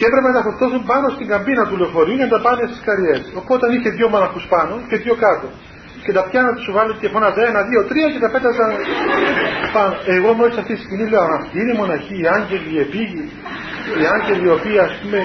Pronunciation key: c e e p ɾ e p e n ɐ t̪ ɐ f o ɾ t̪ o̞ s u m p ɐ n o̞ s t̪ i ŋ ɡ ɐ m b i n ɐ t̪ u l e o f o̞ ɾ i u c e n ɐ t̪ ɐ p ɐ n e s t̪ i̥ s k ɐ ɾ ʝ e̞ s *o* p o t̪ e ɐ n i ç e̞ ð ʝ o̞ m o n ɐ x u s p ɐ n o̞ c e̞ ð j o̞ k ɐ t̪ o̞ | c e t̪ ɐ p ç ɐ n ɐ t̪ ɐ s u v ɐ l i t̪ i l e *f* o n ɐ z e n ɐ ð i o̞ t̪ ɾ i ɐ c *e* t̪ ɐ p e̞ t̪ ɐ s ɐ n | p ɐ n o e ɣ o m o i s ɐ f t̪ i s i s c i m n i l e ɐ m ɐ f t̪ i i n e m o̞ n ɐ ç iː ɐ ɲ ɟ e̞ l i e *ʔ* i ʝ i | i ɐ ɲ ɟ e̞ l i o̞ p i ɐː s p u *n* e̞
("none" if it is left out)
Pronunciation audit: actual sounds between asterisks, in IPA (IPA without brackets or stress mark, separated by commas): o, f, e, p, m